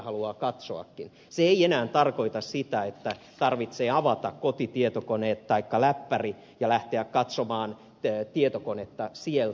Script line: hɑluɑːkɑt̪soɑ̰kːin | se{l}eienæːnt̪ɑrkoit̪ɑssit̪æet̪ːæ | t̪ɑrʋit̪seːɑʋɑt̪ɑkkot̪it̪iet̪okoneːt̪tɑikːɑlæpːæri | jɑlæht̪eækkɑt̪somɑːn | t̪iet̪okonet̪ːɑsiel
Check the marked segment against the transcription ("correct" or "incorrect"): incorrect